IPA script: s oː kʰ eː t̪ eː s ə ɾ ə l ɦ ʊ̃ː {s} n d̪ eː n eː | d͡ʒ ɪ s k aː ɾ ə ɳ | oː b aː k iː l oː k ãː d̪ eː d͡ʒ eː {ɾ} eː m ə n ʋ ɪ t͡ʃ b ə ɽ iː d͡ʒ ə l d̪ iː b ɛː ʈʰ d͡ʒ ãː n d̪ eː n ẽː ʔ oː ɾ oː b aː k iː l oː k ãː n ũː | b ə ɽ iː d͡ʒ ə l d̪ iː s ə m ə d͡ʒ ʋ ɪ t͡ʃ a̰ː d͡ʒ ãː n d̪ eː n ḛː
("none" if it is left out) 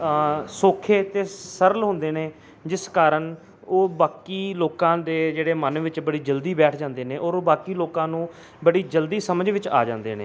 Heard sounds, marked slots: none, ɽ

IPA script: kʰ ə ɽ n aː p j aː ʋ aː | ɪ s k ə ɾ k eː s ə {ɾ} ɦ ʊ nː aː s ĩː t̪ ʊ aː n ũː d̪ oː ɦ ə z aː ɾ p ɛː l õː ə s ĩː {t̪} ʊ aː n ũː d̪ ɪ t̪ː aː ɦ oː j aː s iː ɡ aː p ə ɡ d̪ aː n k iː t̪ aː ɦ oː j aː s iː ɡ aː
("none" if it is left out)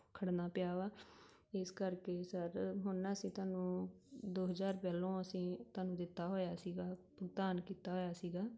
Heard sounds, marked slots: ɾ, t̪

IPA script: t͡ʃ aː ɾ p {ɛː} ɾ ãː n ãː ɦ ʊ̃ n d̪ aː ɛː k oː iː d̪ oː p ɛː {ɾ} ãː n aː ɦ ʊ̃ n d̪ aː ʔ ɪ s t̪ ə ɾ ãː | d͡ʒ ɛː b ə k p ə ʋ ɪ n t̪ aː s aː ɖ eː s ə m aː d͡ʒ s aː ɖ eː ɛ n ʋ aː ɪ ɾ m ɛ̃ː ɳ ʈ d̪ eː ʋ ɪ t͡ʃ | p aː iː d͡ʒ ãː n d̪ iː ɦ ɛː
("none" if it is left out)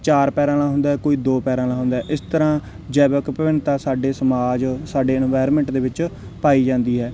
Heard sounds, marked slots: ɛː, ɾ

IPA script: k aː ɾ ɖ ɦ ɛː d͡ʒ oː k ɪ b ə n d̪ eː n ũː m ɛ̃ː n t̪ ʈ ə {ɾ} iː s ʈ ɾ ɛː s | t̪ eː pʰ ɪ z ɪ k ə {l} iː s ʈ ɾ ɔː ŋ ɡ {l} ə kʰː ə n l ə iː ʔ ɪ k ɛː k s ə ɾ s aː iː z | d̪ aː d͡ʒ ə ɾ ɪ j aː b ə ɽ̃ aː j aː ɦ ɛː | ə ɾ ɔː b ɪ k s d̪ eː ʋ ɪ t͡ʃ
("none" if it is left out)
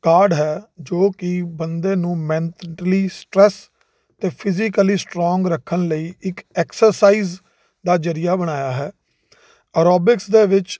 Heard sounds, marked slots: l, l, ɾ

